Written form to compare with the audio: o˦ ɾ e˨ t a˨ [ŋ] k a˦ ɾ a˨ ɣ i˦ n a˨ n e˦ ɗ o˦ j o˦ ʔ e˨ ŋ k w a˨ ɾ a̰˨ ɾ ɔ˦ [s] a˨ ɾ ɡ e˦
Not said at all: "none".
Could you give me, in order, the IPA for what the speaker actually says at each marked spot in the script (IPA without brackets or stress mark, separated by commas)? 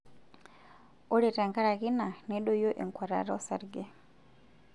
ŋ, s